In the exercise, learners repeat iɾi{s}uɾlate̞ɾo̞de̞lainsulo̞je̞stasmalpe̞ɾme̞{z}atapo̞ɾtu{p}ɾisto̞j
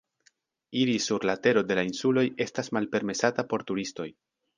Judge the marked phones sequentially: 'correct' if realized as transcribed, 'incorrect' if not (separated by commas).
correct, incorrect, incorrect